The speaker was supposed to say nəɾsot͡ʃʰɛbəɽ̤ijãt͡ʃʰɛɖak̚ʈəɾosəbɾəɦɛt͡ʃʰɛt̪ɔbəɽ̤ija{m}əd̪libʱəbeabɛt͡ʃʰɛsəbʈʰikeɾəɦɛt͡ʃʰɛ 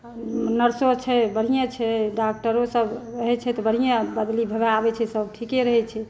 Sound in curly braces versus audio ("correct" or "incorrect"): incorrect